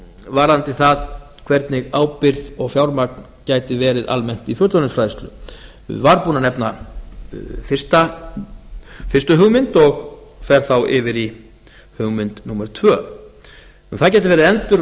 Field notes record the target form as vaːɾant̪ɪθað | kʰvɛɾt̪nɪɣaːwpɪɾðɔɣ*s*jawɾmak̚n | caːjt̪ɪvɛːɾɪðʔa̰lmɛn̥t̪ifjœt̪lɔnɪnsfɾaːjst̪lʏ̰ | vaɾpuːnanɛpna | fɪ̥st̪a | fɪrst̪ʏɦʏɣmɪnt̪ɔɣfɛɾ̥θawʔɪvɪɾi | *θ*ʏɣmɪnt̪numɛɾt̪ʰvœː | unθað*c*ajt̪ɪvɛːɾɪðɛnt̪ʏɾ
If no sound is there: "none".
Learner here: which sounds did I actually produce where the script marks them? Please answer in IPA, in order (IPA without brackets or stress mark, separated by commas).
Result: f, h, c